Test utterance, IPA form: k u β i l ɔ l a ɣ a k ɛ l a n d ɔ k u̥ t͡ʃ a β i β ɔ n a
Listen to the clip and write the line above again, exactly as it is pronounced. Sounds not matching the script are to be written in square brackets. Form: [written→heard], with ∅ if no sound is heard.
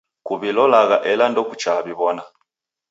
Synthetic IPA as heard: k u β i l ɔ l a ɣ a [k→ʔ] ɛ l a n d ɔ k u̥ t͡ʃ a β i β ɔ n a